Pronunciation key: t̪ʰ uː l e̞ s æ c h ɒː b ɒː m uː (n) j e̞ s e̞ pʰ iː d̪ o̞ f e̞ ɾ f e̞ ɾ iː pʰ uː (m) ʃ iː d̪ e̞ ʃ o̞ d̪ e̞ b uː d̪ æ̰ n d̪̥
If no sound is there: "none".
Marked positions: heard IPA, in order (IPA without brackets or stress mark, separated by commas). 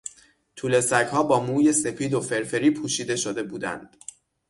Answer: none, none